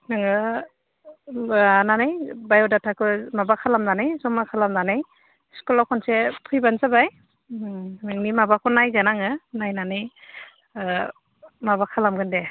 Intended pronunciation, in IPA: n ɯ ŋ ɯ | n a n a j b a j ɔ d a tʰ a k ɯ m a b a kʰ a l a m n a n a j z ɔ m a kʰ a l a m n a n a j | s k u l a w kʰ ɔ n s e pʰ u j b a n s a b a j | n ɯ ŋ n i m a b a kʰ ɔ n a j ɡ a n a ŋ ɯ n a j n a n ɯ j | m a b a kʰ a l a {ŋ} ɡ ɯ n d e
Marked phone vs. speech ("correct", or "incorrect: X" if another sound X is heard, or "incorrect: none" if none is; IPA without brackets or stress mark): incorrect: m